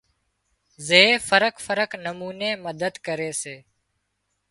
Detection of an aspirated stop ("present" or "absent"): absent